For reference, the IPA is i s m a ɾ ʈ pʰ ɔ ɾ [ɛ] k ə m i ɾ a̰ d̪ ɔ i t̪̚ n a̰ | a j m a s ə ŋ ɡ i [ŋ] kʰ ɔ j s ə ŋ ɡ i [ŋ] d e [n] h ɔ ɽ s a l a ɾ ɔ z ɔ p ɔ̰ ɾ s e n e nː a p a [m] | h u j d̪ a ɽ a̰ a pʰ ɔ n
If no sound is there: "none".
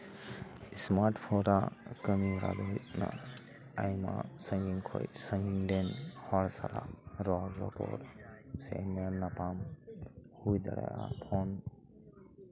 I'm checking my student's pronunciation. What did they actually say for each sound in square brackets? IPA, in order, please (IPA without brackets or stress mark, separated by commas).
a, ŋ, ŋ, n, m